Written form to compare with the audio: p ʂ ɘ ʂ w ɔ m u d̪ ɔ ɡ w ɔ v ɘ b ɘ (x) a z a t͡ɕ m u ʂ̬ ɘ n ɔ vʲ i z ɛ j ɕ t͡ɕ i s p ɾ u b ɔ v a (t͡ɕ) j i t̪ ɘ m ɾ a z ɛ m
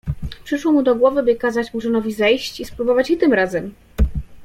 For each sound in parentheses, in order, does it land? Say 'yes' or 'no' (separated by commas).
no, yes